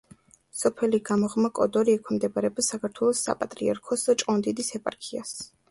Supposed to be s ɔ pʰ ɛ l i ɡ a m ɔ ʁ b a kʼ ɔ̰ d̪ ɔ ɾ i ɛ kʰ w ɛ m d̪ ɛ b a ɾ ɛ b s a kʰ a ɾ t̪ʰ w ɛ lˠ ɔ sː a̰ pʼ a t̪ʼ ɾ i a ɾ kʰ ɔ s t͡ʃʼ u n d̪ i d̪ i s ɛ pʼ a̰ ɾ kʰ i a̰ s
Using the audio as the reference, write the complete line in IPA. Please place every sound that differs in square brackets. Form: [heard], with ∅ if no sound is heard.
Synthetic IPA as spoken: s ɔ pʰ ɛ l i ɡ a m ɔ ʁ [m] a kʼ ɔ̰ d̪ ɔ ɾ i ɛ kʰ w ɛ m d̪ ɛ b a ɾ ɛ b s a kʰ a ɾ t̪ʰ w ɛ lˠ ɔ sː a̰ pʼ a t̪ʼ ɾ i a ɾ kʰ ɔ s t͡ʃʼ [ɔ] n d̪ i d̪ i s ɛ pʼ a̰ ɾ kʰ i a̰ s